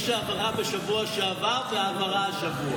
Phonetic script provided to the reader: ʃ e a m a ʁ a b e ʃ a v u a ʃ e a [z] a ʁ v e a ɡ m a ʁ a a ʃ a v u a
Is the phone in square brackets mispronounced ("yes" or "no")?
yes